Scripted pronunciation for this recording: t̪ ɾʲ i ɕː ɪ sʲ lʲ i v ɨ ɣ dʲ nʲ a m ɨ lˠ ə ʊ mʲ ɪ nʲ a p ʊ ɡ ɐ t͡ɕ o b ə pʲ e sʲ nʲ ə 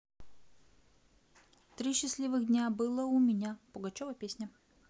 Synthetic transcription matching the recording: t̪ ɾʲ i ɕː ɪ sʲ lʲ i v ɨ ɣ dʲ nʲ a b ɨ lˠ ə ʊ mʲ ɪ nʲ a p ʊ ɡ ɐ t͡ɕ o v ə pʲ e sʲ nʲ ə